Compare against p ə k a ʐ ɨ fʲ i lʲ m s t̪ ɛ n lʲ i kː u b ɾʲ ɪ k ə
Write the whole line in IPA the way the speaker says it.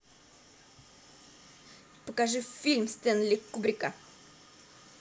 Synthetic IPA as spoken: p ə k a ʐ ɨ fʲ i lʲ m s t̪ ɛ n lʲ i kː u b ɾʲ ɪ k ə